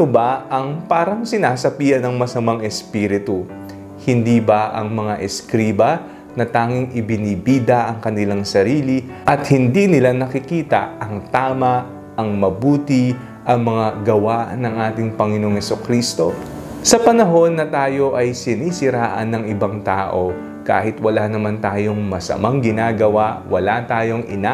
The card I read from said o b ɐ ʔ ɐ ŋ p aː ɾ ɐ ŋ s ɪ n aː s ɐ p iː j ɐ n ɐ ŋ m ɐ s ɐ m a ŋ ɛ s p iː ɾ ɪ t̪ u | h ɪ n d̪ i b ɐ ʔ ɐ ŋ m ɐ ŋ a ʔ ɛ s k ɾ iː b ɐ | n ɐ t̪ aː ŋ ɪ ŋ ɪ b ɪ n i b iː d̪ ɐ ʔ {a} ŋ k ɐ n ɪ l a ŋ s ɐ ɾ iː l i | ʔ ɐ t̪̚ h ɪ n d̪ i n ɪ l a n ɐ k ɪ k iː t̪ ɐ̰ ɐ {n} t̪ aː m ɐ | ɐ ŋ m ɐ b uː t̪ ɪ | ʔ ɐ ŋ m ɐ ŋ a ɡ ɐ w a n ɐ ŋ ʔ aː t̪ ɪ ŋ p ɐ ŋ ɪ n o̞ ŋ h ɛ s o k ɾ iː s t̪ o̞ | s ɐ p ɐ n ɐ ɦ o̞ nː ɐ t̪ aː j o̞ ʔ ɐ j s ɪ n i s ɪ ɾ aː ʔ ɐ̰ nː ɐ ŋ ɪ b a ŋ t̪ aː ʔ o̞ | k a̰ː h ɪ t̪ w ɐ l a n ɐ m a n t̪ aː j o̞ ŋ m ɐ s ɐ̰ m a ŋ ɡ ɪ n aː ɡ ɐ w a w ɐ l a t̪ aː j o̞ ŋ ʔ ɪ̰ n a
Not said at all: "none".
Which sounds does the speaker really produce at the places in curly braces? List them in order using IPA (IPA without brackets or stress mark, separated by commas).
ɐ, ŋ